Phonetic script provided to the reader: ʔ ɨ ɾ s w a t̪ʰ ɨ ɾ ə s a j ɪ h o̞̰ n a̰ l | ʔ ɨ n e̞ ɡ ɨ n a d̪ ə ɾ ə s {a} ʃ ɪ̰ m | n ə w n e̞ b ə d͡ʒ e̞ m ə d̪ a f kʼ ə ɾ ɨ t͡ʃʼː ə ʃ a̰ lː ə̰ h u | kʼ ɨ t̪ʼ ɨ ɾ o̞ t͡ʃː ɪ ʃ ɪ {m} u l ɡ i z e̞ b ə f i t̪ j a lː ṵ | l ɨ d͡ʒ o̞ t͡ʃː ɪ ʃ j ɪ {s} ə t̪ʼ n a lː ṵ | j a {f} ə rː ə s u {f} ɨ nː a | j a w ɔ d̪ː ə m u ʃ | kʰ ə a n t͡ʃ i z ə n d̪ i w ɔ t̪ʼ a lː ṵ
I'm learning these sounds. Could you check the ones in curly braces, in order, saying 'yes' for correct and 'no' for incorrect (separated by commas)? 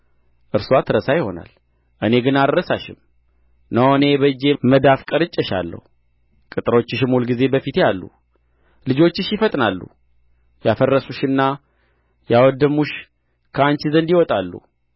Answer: yes, yes, no, yes, no